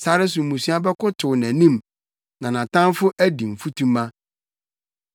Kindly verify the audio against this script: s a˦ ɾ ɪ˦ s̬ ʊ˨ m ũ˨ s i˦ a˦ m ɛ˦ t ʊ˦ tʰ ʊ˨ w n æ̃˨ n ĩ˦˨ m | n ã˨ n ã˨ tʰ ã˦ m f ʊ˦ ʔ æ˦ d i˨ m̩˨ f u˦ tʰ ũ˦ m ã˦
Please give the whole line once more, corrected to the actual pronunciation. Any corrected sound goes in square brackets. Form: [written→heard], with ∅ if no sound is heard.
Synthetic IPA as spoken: s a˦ ɾ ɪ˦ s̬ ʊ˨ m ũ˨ s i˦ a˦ [m→b] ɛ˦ [t→k] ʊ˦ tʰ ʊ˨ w n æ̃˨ n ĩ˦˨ m | n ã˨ n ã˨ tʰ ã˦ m f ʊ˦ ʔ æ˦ d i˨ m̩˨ f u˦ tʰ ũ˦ m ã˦